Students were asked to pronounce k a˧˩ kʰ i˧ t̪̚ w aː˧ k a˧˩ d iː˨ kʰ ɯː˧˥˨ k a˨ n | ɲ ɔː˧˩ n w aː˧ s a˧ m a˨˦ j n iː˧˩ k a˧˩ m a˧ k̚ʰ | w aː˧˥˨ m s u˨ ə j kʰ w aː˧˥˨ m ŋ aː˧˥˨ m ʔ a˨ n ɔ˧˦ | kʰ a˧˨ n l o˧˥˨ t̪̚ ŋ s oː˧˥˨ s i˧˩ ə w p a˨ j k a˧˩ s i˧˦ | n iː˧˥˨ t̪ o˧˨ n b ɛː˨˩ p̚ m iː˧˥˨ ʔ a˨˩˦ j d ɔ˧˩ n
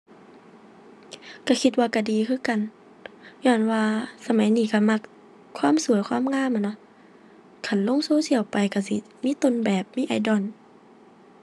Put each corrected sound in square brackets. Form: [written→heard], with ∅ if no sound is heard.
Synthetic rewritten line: k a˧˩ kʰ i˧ t̪̚ w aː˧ k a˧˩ d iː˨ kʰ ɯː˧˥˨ k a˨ n | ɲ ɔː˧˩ n w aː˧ s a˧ m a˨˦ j n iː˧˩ k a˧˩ m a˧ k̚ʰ | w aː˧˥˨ m s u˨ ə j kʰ w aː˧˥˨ m ŋ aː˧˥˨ m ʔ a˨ n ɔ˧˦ | kʰ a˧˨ n l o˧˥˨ [t̪̚→∅] ŋ s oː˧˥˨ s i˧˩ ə w p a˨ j k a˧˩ s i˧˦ | [n→m] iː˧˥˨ t̪ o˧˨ n b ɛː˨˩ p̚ m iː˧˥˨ ʔ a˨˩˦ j d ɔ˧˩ n